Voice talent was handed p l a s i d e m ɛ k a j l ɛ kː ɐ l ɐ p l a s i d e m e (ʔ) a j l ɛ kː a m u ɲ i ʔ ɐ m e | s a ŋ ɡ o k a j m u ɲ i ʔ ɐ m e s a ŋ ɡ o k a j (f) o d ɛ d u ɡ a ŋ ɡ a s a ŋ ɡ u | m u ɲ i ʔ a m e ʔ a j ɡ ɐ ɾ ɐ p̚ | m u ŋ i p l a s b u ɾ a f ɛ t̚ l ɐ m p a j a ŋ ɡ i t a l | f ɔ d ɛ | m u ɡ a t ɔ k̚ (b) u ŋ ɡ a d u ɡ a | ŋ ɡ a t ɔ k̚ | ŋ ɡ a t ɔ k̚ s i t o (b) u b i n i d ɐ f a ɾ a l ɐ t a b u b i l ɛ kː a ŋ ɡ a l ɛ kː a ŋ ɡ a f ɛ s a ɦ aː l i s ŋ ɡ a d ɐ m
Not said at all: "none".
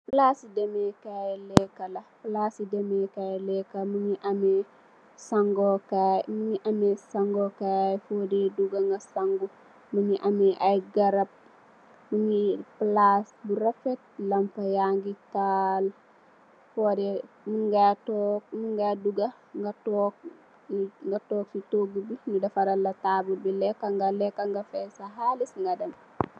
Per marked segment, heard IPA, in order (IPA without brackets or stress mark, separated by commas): k, f, m, ɡ